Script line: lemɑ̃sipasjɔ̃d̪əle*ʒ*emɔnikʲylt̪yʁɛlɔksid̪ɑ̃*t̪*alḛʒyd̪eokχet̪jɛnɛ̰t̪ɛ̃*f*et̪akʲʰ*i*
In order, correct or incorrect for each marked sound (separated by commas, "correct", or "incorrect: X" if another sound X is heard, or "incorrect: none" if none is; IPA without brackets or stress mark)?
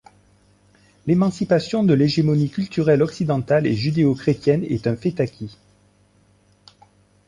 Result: correct, correct, correct, correct